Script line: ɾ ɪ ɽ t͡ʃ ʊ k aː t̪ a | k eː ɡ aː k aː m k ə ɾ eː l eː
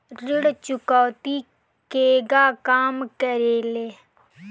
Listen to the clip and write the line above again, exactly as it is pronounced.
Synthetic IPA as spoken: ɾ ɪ ɽ t͡ʃ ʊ k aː t̪ i | k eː ɡ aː k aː m k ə ɾ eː l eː